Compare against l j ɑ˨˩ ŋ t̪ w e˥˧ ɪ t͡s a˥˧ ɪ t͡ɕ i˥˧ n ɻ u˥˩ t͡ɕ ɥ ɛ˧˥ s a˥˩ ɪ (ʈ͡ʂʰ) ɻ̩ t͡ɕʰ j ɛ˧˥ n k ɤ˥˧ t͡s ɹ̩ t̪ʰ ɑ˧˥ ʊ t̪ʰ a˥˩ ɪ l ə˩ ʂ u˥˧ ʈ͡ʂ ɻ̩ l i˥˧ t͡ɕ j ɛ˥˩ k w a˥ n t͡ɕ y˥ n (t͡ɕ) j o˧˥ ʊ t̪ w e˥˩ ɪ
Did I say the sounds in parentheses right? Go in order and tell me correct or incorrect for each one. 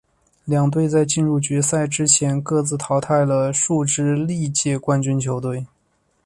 incorrect, incorrect

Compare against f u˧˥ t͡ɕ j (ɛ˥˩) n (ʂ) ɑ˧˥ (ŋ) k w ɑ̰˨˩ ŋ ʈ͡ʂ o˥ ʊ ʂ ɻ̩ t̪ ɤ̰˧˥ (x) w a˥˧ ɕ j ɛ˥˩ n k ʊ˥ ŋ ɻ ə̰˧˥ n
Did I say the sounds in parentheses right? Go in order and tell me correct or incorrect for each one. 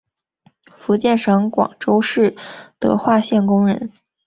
correct, correct, correct, correct

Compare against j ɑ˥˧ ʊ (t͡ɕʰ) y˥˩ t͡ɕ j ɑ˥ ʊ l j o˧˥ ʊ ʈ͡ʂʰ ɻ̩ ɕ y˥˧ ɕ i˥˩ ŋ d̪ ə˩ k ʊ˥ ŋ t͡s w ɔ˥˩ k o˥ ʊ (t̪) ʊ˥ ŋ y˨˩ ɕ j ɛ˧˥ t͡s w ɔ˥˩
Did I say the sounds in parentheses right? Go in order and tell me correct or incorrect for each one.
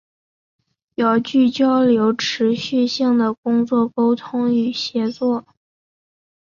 incorrect, incorrect

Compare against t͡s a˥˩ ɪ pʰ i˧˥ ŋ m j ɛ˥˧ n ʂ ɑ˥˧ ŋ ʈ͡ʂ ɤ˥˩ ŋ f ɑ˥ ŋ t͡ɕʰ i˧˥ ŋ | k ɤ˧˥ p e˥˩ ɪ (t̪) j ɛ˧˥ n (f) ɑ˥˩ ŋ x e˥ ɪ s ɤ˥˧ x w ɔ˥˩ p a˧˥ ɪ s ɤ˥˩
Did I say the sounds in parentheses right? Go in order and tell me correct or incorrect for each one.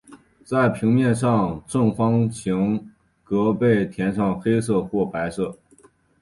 incorrect, incorrect

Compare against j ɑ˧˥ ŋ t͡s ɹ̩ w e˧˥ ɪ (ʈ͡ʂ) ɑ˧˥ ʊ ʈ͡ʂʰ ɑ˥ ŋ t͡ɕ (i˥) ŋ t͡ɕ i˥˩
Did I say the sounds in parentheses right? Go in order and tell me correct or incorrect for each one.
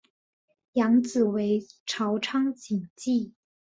incorrect, incorrect

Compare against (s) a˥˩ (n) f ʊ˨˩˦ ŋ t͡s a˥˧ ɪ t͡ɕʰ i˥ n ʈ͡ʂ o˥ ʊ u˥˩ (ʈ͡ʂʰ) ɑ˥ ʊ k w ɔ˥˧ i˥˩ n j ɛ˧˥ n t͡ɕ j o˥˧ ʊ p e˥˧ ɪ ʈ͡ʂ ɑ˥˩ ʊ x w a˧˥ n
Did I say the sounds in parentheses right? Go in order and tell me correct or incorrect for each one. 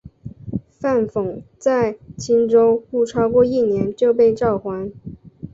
incorrect, correct, correct

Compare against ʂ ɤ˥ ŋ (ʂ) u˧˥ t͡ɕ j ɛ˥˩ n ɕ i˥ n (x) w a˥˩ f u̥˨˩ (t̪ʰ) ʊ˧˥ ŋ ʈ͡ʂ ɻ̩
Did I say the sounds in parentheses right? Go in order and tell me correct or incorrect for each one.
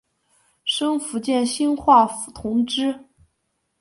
incorrect, correct, correct

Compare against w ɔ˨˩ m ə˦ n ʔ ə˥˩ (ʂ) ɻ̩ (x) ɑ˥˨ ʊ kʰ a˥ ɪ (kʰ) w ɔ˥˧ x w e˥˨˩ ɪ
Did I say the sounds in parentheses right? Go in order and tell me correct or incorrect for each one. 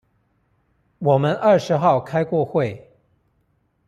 correct, correct, incorrect

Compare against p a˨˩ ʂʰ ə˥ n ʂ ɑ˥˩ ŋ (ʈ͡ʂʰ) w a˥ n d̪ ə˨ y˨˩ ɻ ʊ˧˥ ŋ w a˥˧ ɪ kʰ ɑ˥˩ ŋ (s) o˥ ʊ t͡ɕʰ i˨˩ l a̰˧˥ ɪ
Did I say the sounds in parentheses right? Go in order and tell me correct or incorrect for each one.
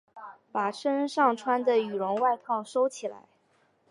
correct, incorrect

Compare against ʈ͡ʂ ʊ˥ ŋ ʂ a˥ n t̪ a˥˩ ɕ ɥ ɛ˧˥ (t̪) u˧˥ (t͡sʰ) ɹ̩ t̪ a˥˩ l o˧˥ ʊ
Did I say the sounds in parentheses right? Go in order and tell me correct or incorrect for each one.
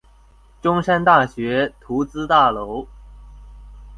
incorrect, incorrect

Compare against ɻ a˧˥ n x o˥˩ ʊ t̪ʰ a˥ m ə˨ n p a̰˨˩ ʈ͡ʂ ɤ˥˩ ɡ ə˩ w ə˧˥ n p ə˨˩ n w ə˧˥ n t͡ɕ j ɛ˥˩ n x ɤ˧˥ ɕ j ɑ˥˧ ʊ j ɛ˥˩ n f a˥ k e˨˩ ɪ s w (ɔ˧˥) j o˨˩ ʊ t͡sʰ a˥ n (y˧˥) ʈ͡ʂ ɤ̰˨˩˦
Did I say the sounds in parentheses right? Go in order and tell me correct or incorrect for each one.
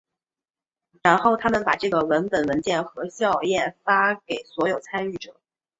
correct, incorrect

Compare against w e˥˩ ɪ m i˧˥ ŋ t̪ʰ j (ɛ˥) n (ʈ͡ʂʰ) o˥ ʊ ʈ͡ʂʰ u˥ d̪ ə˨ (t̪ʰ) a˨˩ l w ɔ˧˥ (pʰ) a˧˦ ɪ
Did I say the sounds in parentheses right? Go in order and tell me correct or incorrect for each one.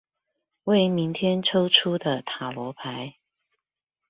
correct, correct, correct, correct

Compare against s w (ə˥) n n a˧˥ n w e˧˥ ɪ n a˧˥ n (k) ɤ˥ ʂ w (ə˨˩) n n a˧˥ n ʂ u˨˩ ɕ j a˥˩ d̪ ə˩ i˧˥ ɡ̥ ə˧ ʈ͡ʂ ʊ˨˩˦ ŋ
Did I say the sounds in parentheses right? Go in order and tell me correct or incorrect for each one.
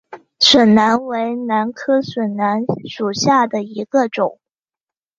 incorrect, incorrect, correct

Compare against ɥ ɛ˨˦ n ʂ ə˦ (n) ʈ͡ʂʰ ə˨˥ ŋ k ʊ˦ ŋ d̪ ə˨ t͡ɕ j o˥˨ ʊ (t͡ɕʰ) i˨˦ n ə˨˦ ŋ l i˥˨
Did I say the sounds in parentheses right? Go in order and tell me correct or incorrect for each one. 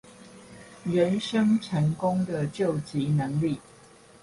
incorrect, incorrect

